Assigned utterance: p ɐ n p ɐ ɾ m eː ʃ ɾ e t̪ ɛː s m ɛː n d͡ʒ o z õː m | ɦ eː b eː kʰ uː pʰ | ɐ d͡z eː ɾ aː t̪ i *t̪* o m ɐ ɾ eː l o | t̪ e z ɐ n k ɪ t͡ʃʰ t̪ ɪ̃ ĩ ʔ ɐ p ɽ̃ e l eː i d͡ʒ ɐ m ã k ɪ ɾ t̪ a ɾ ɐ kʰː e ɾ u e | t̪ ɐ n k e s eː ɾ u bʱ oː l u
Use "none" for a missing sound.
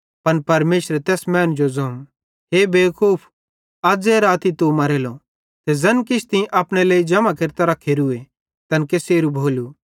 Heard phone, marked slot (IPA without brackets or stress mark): t̪